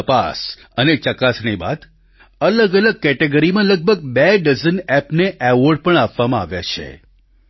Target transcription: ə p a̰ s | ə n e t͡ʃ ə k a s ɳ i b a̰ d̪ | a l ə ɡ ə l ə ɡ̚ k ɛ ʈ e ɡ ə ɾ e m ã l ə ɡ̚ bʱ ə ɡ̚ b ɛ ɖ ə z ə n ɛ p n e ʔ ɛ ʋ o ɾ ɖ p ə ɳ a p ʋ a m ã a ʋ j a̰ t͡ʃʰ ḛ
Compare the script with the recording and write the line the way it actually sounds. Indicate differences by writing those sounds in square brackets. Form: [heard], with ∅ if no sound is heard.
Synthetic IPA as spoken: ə p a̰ s | ə n e t͡ʃ ə k a s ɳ i b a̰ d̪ | [ə] l ə ɡ ə l ə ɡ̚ k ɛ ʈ e ɡ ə ɾ [i] m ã l ə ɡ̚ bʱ ə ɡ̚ b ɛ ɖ ə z ə n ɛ p n e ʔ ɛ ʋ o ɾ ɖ p ə ɳ a p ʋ a m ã a ʋ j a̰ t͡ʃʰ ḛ